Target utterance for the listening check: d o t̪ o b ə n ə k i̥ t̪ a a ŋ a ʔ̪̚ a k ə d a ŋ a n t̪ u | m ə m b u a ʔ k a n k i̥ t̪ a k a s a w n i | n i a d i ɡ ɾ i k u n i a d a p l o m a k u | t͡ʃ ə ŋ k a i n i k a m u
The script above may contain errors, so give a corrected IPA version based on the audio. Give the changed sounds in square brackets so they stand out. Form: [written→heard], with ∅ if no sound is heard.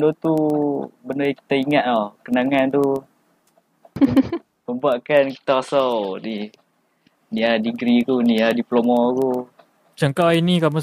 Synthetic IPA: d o t̪ [o→u] b ə n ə k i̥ t̪ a [a→i] ŋ a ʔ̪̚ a k ə [d→n] a ŋ a n t̪ u | m ə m b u a ʔ k a n k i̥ t̪ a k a s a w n i | n i a d i ɡ ɾ i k u n i a d [a→i] p l o m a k u | t͡ʃ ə ŋ k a i n i k a m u